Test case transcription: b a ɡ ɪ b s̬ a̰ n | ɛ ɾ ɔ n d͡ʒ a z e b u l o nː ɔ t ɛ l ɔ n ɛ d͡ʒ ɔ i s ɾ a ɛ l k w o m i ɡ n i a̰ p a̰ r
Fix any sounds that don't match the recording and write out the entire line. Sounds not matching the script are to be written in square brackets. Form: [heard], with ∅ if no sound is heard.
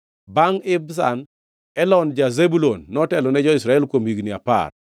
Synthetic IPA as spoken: b a [ŋ] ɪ b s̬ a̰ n | ɛ [l] ɔ n d͡ʒ a z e b u l o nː ɔ t ɛ l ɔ n ɛ d͡ʒ ɔ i s ɾ a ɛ l k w o m i ɡ n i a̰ p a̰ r